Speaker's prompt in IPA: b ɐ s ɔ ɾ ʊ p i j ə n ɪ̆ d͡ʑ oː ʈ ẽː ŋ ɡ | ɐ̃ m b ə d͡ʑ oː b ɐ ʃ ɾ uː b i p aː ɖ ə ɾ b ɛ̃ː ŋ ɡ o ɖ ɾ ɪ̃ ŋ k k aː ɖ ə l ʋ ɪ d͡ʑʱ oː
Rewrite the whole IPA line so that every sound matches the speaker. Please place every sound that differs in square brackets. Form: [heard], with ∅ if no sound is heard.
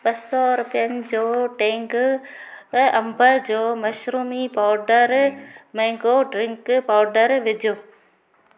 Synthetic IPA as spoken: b ɐ s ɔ ɾ ʊ p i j ə n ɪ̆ d͡ʑ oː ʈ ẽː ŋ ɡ | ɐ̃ m b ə d͡ʑ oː [m] ɐ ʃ ɾ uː [m] i p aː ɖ ə ɾ [m] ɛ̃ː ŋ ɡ o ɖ ɾ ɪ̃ ŋ k [p] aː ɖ ə [ɾ] ʋ ɪ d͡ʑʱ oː